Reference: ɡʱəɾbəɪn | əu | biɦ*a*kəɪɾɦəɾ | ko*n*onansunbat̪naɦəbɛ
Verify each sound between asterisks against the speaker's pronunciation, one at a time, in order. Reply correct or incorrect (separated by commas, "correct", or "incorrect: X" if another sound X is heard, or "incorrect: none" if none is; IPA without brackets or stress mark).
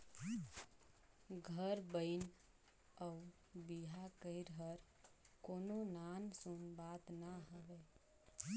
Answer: correct, correct